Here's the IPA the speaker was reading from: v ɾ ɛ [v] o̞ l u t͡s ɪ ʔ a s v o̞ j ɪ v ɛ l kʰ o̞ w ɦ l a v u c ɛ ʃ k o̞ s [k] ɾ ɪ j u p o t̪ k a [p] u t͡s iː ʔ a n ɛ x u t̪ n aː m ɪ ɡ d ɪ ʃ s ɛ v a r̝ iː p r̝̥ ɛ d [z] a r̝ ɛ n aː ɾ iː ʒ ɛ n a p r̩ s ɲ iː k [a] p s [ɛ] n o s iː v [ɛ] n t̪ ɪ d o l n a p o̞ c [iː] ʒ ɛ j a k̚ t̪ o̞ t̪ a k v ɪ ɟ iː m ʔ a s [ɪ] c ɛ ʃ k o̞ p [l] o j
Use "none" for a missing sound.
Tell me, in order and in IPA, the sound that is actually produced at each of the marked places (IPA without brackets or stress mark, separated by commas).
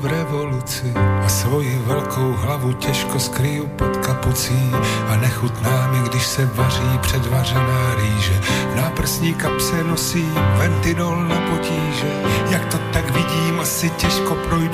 v, k, p, v, a, ɛ, ɛ, iː, ɪ, ɾ